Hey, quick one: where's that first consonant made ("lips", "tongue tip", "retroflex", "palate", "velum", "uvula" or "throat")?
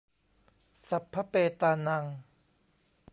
tongue tip